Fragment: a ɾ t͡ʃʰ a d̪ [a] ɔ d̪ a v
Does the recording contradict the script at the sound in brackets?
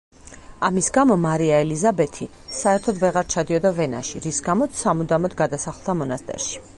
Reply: yes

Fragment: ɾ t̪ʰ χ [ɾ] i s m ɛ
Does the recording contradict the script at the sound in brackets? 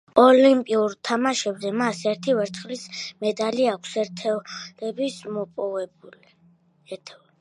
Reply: yes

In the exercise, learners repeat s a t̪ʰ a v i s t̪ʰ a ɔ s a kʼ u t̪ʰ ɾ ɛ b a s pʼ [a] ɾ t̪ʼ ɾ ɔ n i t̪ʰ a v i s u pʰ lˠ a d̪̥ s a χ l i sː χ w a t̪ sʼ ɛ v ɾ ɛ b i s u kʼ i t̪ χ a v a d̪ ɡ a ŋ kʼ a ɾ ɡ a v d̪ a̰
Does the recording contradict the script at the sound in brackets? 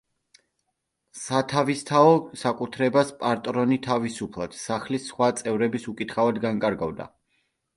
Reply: no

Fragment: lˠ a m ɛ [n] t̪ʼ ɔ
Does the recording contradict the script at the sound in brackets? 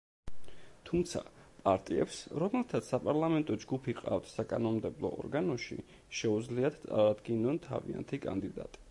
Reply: no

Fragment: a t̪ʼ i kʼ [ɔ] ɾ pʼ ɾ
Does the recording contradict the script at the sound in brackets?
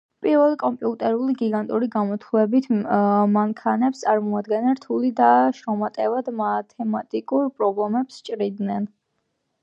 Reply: yes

